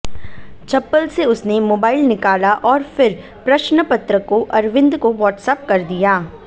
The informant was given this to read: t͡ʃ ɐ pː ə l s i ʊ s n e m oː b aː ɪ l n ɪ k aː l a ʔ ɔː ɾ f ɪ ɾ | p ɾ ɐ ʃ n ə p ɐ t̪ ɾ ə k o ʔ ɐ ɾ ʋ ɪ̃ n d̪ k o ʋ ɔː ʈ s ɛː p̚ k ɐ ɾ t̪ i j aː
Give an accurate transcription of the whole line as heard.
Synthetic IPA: t͡ʃ ɐ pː ə l s e ʊ s n e m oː b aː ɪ l n ɪ k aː l a ʔ ɔː ɾ f ɪ ɾ | p ɾ ɐ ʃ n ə p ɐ t̪ ɾ ə k o ʔ ɐ ɾ ʋ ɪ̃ n d̪ k o ʋ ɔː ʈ s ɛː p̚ k ɐ ɾ d̪ i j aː